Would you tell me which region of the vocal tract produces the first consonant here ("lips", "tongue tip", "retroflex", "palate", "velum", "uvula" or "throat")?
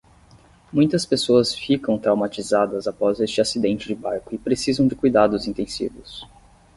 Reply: lips